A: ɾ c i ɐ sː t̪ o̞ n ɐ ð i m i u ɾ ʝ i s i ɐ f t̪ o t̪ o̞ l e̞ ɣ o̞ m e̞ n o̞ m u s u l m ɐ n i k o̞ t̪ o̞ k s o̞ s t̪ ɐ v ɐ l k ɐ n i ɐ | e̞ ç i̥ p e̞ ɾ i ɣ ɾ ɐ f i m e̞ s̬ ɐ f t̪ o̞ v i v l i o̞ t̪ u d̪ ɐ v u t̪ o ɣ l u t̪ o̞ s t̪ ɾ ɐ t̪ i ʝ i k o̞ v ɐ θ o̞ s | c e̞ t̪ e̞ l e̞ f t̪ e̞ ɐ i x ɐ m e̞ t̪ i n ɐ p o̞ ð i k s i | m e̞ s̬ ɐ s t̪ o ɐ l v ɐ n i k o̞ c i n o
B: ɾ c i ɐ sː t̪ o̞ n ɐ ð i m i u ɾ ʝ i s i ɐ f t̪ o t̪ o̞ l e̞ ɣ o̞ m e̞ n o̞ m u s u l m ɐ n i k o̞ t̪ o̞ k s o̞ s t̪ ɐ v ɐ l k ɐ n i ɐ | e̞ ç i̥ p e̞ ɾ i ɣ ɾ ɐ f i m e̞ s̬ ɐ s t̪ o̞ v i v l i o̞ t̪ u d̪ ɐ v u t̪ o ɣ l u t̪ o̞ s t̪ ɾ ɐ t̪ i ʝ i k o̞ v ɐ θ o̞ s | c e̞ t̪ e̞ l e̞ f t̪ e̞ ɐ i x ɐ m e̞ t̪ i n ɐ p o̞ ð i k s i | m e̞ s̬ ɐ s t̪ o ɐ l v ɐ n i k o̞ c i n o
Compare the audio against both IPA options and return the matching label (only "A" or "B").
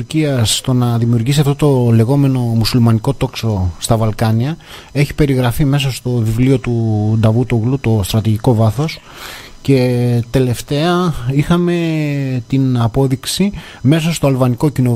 B